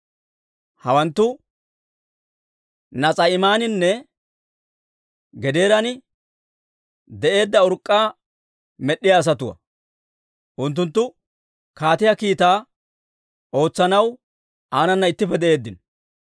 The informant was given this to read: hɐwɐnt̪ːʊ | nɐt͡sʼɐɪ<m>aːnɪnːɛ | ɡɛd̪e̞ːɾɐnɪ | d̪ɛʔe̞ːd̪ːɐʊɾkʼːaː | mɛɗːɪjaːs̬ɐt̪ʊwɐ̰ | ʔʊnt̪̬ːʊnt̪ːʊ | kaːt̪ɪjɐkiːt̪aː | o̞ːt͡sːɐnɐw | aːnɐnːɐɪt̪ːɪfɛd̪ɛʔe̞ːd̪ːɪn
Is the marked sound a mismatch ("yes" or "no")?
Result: no